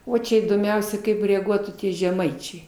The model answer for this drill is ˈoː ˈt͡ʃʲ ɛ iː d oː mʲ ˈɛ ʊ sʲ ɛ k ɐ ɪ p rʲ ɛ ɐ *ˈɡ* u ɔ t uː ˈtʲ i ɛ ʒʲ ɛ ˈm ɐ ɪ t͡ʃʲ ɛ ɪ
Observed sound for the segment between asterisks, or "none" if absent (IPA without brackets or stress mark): ɡ